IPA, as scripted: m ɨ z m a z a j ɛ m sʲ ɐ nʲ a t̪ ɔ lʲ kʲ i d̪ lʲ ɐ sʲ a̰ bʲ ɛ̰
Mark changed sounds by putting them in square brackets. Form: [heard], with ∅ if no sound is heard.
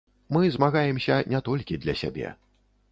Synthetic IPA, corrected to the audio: m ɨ z m a [ɣ] a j ɛ m sʲ ɐ nʲ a t̪ ɔ lʲ kʲ i d̪ lʲ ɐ sʲ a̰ bʲ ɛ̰